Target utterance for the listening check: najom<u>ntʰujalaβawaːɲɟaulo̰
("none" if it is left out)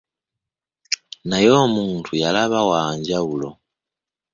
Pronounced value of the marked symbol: uː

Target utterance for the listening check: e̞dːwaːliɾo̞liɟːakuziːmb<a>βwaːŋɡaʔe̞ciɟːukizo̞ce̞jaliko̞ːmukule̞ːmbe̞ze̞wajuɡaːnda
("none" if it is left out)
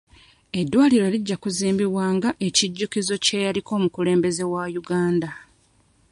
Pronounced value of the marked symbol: i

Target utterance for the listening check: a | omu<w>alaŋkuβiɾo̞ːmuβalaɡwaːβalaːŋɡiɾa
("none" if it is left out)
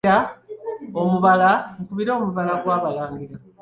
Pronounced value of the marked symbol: β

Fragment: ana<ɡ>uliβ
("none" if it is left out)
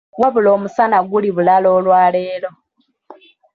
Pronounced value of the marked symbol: ɡ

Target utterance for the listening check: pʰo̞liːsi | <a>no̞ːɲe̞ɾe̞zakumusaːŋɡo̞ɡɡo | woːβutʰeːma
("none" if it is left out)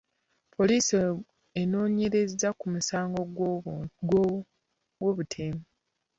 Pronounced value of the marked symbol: e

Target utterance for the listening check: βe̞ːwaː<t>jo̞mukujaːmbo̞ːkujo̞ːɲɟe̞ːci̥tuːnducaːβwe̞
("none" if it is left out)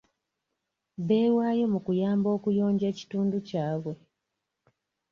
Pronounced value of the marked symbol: none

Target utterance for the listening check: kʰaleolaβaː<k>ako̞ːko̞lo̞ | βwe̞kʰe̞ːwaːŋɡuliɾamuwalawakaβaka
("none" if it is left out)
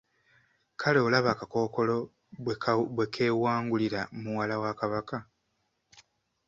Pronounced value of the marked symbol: k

